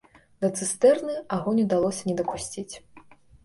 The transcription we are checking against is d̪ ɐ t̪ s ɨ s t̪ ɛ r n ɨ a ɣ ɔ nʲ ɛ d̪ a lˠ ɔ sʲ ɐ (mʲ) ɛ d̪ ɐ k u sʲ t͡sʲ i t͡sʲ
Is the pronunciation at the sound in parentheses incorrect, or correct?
incorrect